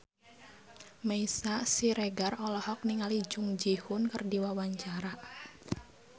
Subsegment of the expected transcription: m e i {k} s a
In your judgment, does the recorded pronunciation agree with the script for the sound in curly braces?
no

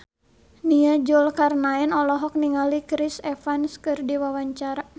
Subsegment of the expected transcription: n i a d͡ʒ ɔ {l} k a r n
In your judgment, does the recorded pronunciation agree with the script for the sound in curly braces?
yes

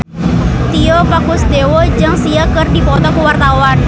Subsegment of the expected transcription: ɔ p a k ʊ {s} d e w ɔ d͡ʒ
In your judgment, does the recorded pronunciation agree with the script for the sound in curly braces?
yes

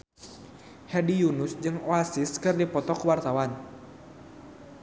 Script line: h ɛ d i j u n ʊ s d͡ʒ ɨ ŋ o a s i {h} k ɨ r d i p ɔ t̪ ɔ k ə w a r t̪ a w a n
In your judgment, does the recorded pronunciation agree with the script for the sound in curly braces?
no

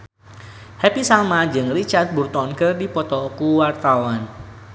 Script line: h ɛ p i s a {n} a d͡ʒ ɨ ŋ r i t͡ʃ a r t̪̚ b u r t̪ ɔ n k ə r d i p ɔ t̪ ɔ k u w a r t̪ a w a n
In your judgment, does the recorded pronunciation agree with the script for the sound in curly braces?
no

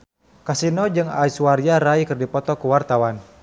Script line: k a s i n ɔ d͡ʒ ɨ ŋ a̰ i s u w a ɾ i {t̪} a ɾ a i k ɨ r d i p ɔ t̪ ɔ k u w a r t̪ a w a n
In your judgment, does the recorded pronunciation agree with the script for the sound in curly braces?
no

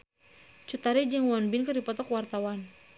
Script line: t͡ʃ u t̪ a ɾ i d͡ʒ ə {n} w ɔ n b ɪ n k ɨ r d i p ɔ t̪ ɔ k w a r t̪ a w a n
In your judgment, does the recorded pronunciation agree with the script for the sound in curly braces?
no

